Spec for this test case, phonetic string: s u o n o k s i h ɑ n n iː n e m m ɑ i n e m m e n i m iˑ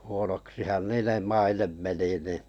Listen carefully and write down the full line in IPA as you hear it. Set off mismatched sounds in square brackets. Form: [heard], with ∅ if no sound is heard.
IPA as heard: [h] u o n o k s i h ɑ n n iː n e m m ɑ i n e m m e n i [n] iˑ